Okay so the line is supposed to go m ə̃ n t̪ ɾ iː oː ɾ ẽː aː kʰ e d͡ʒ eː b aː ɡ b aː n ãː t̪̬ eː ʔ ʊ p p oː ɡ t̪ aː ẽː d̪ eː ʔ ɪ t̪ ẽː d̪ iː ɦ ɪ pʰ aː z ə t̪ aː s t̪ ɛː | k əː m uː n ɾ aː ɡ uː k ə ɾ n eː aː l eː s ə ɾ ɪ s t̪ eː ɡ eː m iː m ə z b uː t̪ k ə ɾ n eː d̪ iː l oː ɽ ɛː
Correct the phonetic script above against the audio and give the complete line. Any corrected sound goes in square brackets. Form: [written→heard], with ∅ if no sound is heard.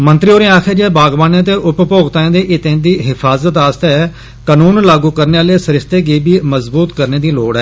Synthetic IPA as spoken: m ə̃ n t̪ ɾ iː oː ɾ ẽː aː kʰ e d͡ʒ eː b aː ɡ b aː n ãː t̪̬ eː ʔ ʊ p p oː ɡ t̪ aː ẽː d̪ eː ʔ ɪ t̪ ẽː d̪ iː ɦ ɪ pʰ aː z ə t̪ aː s t̪ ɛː | k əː [m→n] uː n [ɾ→l] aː ɡ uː k ə ɾ n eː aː l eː s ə ɾ ɪ s t̪ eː ɡ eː [m→b] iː m ə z b uː t̪ k ə ɾ n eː d̪ iː l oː ɽ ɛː